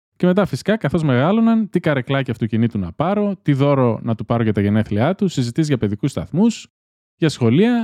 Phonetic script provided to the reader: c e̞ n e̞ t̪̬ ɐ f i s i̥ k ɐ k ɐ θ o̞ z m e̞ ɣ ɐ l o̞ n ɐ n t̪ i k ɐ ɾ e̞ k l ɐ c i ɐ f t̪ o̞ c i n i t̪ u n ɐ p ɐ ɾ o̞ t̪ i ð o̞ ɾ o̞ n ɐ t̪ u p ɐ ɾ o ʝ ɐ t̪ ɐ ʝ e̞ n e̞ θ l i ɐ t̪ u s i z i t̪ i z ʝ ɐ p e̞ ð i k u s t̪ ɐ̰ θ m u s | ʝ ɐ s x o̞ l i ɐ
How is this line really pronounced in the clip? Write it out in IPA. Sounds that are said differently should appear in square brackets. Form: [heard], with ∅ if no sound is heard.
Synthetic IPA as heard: c e̞ [m] e̞ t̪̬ ɐ f i s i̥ k ɐ k ɐ θ o̞ z m e̞ ɣ ɐ l o̞ n ɐ n t̪ i k ɐ ɾ e̞ k l ɐ c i ɐ f t̪ o̞ c i n i t̪ u n ɐ p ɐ ɾ o̞ t̪ i ð o̞ ɾ o̞ n ɐ t̪ u p ɐ ɾ o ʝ ɐ t̪ ɐ ʝ e̞ n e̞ θ l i ɐ t̪ u s i z i t̪ i z ʝ ɐ p e̞ ð i k u s t̪ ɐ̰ θ m u s | ʝ ɐ s x o̞ l i ɐ